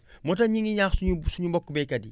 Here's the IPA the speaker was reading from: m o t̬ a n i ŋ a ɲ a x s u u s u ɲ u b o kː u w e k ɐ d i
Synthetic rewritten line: m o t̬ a ɲ i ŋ i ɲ a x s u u s u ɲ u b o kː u b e k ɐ d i

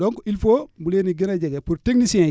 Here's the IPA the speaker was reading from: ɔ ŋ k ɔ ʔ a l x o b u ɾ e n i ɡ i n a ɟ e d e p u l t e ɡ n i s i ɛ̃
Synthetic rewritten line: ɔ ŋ k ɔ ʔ i l f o b u l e n i ɡ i n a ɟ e ɡ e p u ɾ t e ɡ n i s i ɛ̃

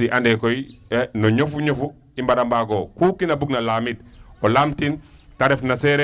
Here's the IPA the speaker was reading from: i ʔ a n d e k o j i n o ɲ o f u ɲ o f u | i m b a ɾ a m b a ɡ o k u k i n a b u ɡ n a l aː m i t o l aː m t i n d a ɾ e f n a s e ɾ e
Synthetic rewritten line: i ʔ a n d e k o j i n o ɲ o f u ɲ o f u | i m b a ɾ a m b a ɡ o k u k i n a b u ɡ n a l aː m i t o l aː m t i n t a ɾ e f n a s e ɾ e

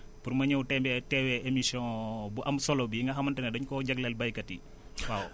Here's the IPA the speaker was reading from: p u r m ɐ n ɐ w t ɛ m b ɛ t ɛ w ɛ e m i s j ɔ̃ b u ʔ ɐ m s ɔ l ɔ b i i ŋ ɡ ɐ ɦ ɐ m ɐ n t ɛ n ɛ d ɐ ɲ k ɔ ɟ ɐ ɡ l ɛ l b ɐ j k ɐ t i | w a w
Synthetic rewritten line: p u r m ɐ ɲ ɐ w t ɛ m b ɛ t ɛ w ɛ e m i s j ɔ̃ b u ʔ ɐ m s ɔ l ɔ b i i ŋ ɡ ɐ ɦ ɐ m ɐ n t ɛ n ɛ d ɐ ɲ k ɔ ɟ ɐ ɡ l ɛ l b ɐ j k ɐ t i | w a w

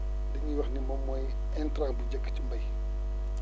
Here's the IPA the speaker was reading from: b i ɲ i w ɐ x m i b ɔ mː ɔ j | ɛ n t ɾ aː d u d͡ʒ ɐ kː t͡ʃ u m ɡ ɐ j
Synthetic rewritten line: d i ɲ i w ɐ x n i m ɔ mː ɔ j | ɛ n t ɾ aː b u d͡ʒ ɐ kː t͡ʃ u m b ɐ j

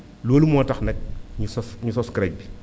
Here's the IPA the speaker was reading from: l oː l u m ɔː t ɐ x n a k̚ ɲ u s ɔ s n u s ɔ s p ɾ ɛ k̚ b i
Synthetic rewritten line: l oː l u m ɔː t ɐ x n ɛ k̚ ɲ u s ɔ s ɲ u s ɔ s k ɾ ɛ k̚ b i

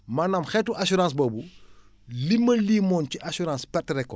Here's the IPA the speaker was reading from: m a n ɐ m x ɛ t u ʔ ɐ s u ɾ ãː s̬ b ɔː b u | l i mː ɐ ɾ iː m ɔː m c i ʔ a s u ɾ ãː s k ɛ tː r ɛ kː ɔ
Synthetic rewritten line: m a n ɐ m x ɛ t u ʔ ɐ s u ɾ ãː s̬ b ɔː b u | l i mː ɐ l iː m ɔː n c i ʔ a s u ɾ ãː s p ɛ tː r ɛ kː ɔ

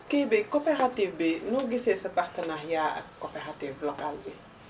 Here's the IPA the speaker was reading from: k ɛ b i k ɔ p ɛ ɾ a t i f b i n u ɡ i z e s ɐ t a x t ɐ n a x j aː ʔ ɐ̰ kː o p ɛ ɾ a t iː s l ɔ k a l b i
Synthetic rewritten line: k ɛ b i k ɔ p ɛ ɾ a t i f b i n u ɡ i s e s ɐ p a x t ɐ n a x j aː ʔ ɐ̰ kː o p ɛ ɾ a t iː f l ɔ k a l b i

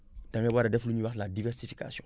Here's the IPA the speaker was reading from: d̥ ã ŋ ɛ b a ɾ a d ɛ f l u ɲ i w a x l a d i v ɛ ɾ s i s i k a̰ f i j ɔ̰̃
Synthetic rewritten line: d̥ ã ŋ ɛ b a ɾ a d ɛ f l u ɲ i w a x l a d i v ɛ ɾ s i f i k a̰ s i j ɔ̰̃

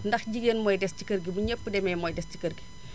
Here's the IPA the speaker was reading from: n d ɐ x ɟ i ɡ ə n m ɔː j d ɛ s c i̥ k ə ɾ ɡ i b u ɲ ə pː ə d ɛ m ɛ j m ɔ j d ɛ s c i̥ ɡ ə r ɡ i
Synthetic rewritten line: n d ɐ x ɟ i ɡ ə n m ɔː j d ɛ s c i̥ k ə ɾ ɡ i b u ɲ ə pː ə d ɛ m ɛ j m ɔ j d ɛ s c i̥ k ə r ɡ i

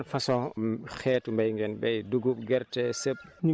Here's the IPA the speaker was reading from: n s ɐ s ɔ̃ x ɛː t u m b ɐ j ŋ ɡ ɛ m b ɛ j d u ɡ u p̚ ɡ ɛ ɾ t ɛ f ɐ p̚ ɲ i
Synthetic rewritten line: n f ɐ s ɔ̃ x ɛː t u m b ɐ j ŋ ɡ ɛ n b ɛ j d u ɡ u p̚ ɡ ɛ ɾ t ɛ s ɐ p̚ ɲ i

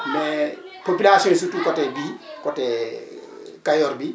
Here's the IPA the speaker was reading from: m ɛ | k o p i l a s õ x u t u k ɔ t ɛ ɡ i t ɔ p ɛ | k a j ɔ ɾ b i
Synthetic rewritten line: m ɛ | p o p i l a s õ s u t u k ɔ t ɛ b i k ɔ t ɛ | k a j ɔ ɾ b i

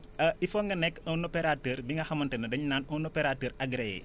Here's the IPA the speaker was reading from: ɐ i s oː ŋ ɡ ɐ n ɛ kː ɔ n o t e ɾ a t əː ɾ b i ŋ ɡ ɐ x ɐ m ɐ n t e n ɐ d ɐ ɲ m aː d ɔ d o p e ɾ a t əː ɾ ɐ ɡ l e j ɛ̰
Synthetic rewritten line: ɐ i f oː ŋ ɡ ɐ n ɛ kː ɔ n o p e ɾ a t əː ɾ b i ŋ ɡ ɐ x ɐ m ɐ n t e n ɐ d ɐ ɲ n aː n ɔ n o p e ɾ a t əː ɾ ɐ ɡ ɾ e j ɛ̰

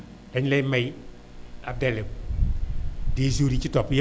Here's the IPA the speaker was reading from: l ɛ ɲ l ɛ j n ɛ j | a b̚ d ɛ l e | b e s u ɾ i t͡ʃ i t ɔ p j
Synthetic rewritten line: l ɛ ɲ l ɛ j m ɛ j | a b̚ d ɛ l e | d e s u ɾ i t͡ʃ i t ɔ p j

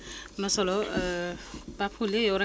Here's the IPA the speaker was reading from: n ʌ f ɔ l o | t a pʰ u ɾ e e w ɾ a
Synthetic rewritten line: n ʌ s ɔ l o | p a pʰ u l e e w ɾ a

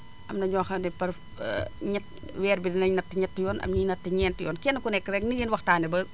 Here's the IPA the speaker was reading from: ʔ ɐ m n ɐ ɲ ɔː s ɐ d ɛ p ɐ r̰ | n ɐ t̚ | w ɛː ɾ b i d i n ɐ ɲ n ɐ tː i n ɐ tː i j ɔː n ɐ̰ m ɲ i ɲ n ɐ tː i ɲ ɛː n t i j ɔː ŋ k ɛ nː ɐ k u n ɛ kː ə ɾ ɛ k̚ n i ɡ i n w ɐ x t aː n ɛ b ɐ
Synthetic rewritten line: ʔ ɐ m n ɐ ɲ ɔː x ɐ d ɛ p ɐ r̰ | ɲ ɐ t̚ | w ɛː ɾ b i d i n ɐ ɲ n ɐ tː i ɲ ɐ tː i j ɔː n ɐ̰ m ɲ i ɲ n ɐ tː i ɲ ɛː n t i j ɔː n k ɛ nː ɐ k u n ɛ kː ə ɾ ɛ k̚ n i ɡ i n w ɐ x t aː n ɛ b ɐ

